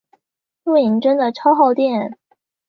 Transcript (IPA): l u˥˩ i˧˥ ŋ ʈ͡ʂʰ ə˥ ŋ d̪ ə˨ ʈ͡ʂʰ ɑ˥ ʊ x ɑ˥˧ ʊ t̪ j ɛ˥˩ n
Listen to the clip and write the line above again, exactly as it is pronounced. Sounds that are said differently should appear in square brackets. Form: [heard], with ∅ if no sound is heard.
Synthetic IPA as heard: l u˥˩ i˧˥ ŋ [ʈ͡ʂ] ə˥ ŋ d̪ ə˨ ʈ͡ʂʰ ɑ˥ ʊ x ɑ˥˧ ʊ t̪ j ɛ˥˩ n